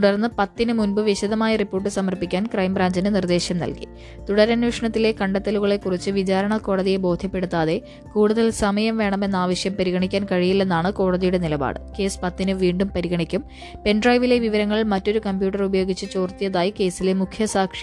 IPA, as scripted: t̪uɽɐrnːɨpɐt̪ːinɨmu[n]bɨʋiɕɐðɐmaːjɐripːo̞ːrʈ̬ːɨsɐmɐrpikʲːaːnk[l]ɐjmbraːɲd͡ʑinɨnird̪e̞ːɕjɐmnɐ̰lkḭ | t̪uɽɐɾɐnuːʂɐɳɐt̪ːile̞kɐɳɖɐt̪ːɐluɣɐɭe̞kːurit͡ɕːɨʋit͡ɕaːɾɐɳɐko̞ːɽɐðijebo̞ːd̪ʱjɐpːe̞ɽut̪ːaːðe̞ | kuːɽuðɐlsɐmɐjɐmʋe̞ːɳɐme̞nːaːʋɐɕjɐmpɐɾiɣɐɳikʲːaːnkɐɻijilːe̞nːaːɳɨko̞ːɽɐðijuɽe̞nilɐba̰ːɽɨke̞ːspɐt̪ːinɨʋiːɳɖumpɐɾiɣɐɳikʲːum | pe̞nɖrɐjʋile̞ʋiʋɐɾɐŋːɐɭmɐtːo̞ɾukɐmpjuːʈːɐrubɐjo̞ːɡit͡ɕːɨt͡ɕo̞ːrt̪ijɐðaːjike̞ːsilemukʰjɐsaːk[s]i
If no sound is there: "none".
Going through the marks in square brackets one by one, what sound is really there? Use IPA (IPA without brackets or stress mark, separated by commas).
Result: n, r, ʂ